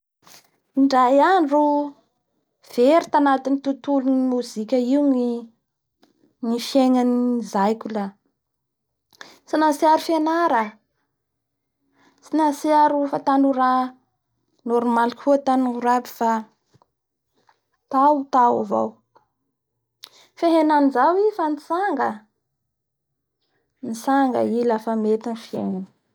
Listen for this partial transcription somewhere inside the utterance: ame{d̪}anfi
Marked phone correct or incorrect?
incorrect: t̪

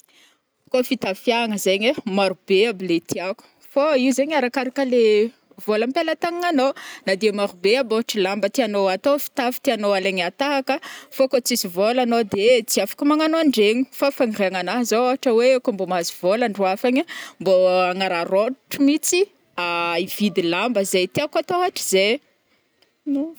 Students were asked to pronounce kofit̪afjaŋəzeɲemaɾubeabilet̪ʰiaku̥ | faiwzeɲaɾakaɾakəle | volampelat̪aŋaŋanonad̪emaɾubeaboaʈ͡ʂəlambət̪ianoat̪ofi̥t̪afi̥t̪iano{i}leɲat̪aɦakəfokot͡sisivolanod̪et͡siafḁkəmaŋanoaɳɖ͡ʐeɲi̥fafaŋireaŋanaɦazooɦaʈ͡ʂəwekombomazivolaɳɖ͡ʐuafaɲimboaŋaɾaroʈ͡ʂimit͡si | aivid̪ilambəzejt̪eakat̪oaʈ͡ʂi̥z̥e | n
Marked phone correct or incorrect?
incorrect: a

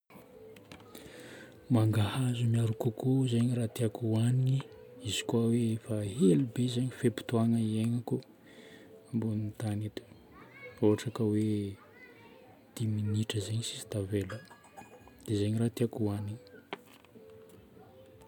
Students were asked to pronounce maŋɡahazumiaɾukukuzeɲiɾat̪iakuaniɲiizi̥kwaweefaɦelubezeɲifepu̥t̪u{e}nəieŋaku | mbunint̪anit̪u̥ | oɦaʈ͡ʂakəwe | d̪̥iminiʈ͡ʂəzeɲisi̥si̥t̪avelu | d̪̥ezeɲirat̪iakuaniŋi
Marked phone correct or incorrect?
incorrect: a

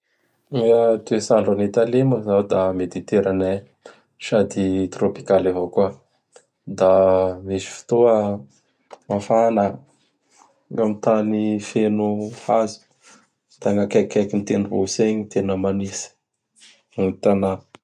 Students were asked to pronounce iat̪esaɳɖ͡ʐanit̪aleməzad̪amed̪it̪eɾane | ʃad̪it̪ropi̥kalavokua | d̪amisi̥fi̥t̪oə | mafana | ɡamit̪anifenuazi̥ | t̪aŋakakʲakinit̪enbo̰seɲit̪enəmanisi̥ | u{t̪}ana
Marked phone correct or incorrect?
correct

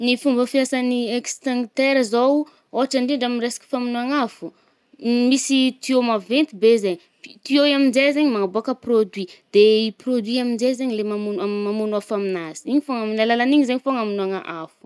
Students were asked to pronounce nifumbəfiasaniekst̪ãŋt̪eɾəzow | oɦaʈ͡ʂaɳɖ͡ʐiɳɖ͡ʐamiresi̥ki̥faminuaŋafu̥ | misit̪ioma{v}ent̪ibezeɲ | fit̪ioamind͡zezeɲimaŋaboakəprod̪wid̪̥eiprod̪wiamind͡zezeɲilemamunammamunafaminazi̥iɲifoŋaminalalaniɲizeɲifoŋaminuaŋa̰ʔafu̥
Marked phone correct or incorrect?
correct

